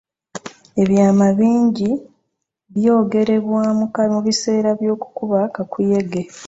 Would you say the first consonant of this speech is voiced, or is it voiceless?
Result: voiced